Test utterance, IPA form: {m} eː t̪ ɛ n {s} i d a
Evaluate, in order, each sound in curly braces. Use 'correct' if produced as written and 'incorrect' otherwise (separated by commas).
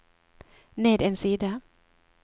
incorrect, correct